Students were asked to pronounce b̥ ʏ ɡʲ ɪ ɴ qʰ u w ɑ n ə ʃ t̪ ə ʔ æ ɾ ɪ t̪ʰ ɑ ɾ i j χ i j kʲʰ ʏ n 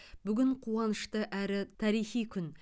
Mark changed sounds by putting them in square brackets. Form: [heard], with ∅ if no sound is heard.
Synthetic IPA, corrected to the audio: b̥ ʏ ɡʲ ɪ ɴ qʰ u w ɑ n ə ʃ t̪ ə ʔ æ ɾ ɪ t̪ʰ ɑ ɾ i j χ i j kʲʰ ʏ n